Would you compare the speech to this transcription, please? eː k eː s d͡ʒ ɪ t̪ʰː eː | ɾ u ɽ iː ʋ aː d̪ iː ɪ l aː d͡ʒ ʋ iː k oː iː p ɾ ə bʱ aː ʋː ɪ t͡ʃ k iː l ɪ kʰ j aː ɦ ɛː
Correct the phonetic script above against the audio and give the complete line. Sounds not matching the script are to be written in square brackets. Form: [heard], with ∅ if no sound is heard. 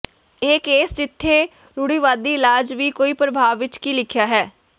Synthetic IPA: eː k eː s d͡ʒ ɪ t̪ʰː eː | ɾ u ɽ iː ʋ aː d̪ iː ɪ l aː d͡ʒ ʋ iː k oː iː p ɾ ə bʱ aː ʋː ɪ t͡ʃ k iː l ɪ kʰ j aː ɦ ɛː